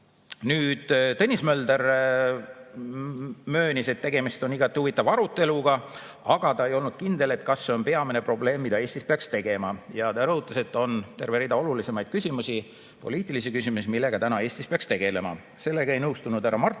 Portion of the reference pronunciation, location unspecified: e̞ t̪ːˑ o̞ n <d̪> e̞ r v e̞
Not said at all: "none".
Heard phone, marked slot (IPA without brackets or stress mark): t̪